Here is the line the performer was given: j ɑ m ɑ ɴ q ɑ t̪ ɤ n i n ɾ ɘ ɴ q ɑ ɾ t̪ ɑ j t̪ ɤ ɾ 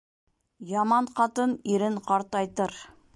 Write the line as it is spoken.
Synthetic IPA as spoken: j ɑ m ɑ ɴ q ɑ t̪ ɤ n i ɾ ɘ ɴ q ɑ ɾ t̪ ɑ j t̪ ɤ ɾ